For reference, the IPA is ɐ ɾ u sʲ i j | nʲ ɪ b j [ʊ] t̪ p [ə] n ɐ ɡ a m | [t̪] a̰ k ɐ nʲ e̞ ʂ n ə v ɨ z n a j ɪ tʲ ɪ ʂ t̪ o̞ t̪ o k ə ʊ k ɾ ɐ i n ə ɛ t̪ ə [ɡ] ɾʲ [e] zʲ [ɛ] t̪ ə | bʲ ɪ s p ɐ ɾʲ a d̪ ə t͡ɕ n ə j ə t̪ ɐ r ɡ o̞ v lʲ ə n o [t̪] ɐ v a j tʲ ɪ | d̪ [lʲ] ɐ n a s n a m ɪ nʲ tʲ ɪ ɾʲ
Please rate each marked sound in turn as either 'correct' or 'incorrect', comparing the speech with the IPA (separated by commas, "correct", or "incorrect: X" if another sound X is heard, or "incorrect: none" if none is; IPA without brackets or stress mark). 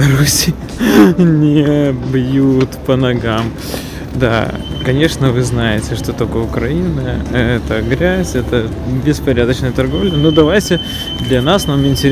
incorrect: u, correct, incorrect: d̪, correct, incorrect: æ, correct, incorrect: d̪, correct